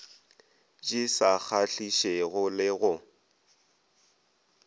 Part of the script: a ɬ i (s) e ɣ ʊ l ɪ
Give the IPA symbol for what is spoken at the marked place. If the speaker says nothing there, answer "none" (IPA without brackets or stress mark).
ʃ